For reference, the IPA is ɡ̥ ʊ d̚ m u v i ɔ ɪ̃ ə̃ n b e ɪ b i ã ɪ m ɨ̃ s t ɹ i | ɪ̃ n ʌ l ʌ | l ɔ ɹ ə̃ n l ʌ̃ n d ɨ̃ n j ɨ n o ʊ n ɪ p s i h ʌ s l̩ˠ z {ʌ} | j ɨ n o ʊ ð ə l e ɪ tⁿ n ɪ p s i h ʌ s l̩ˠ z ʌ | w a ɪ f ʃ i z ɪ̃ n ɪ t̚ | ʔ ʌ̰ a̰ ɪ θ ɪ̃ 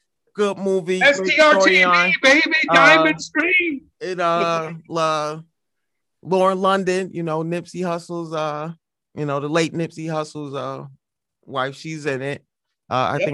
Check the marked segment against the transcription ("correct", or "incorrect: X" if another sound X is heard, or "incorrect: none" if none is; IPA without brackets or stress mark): correct